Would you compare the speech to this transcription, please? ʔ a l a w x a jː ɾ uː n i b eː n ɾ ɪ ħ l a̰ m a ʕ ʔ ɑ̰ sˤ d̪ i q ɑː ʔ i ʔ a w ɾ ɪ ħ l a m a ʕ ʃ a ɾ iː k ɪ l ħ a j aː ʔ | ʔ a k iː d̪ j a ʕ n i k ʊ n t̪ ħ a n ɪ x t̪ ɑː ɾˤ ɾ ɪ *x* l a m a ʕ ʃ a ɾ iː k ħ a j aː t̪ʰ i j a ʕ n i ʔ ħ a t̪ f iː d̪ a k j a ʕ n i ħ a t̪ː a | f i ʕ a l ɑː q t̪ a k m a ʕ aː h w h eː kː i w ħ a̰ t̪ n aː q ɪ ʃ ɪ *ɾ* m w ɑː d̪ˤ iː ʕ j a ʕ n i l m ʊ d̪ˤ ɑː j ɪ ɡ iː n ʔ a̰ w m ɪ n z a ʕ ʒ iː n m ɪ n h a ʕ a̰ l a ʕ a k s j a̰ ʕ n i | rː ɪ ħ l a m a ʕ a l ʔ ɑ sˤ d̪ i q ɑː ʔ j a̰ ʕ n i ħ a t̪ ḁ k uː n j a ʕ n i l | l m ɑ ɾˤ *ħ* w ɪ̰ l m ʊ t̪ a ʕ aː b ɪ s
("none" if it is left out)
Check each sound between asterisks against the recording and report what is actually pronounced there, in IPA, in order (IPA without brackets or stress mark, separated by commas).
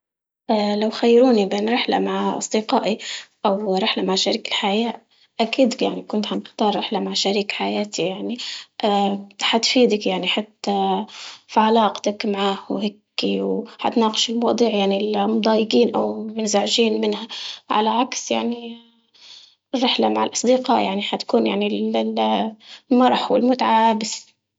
ħ, l, ħ